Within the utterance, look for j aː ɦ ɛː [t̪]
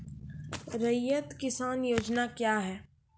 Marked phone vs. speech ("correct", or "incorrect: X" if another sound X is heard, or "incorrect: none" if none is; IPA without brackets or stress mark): incorrect: none